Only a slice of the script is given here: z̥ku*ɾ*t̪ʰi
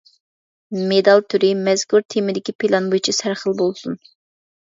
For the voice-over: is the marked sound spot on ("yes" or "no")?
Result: yes